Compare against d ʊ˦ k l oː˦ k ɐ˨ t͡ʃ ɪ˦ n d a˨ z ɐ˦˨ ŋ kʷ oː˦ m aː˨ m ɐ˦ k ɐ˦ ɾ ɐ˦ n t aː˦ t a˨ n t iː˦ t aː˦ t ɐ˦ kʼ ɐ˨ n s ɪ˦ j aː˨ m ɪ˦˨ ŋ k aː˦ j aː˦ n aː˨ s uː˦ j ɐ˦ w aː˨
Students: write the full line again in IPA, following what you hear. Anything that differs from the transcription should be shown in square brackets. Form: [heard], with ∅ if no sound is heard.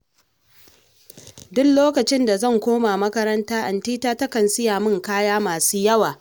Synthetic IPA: d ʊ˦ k l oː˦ k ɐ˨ t͡ʃ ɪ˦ n d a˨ z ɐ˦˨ ŋ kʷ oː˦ m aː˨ m ɐ˦ k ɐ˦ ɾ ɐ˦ n t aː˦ [ʔ] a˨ n t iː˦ t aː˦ t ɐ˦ [k] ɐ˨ n s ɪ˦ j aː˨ m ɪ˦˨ ŋ k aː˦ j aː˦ [m] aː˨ s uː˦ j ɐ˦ w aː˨